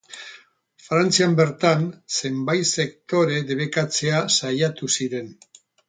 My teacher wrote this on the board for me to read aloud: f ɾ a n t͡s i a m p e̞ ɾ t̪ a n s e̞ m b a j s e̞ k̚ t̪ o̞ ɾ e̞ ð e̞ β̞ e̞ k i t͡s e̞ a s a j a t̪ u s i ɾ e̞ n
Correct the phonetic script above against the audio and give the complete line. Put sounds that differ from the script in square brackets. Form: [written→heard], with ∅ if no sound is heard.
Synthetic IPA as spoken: f ɾ a n t͡s i a m [p→b] e̞ ɾ t̪ a n s e̞ m b a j s e̞ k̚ t̪ o̞ ɾ e̞ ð e̞ β̞ e̞ k [i→a] t͡s e̞ a s a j a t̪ u s i ɾ e̞ n